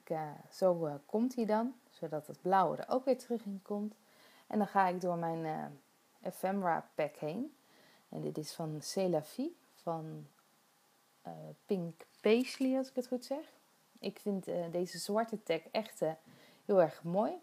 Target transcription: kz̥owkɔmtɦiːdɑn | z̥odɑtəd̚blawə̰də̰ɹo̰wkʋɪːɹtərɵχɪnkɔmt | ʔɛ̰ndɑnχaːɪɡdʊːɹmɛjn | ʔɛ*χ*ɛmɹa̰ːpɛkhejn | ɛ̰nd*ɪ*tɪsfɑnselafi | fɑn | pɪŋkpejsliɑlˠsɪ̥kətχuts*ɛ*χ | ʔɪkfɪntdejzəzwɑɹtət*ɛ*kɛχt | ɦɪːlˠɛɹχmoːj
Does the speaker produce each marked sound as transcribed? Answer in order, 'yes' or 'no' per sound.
no, yes, yes, yes

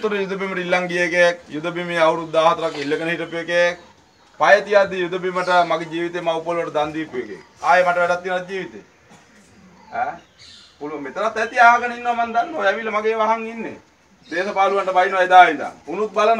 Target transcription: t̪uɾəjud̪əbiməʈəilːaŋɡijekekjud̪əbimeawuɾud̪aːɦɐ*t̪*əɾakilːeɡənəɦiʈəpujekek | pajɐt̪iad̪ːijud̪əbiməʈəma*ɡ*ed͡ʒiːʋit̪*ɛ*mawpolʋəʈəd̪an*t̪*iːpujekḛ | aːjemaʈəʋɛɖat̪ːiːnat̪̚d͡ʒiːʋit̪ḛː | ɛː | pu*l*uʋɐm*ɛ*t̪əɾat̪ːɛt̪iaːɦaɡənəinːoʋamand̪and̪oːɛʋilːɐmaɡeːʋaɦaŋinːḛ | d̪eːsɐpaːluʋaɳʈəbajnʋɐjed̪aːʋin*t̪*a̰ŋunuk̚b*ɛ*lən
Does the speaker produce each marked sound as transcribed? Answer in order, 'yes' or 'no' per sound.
yes, yes, no, no, yes, no, no, no

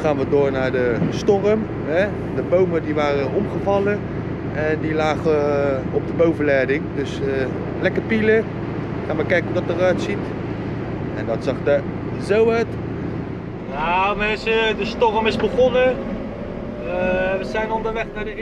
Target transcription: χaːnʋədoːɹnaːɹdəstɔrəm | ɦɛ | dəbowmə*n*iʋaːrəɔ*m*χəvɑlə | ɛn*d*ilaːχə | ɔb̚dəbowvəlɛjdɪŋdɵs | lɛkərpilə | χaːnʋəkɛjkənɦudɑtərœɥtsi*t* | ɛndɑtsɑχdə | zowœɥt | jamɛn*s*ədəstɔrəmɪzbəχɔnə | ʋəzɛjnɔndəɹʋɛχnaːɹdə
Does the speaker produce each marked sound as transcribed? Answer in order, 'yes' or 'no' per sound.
no, yes, yes, yes, yes

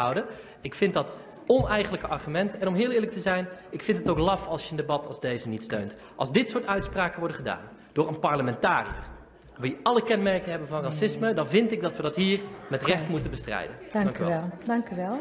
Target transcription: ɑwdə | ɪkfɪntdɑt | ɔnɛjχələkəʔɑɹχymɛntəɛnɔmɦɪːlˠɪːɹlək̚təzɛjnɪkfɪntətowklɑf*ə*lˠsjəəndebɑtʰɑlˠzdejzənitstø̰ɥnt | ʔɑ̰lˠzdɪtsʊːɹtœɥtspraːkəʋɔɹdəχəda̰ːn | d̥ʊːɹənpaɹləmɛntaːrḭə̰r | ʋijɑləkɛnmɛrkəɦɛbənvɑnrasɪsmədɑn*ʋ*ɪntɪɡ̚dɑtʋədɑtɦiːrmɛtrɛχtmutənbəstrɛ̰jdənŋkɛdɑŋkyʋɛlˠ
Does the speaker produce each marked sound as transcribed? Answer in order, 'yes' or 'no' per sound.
no, no

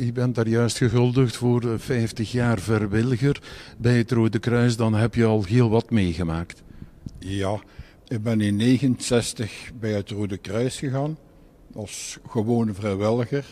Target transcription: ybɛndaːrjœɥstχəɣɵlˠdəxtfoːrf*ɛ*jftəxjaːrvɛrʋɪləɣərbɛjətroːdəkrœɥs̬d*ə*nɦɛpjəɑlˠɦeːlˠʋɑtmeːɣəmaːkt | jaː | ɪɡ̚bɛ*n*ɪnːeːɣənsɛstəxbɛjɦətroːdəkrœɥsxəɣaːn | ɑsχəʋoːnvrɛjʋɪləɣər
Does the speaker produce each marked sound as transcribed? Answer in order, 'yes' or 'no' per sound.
yes, no, yes

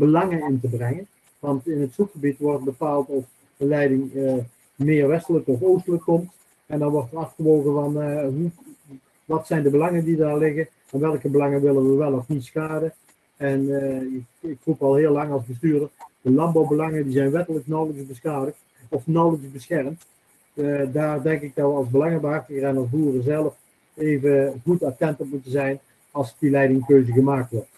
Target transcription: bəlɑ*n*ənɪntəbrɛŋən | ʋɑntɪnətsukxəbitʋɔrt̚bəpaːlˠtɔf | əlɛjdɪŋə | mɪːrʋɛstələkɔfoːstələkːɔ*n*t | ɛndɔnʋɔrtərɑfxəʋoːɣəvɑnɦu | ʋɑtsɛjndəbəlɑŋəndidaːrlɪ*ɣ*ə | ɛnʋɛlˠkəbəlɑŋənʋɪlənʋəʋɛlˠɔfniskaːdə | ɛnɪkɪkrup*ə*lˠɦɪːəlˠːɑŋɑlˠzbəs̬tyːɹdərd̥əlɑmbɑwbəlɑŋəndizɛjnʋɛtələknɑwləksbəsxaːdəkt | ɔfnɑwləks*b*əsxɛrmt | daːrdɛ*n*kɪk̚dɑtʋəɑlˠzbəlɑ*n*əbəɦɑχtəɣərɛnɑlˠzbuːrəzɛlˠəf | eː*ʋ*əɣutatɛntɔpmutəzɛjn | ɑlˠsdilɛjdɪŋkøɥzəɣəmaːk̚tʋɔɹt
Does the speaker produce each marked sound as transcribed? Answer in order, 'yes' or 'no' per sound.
no, no, yes, no, yes, no, no, no

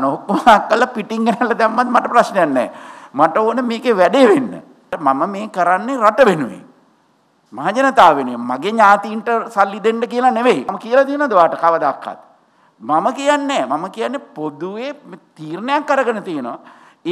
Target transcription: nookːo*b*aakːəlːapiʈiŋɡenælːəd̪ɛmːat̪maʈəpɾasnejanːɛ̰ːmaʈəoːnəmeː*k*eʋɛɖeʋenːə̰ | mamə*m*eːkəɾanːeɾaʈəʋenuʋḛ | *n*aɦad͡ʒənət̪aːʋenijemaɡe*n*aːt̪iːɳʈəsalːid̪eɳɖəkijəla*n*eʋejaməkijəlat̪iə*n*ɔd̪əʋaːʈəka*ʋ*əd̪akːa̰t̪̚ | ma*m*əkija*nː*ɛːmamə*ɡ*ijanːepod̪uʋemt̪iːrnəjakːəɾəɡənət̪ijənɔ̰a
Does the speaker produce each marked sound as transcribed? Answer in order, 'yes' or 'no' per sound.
no, yes, yes, no, no, yes, yes, yes, yes, yes, no

